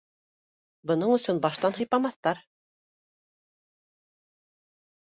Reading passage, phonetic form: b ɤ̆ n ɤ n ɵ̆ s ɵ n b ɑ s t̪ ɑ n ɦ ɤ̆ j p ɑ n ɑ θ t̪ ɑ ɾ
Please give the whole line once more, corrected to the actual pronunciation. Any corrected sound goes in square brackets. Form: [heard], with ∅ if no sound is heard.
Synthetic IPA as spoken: b ɤ̆ n ɤ [ɴ] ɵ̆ s ɵ n b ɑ [ʃ] t̪ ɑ n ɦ ɤ̆ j p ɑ [m] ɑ θ t̪ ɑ ɾ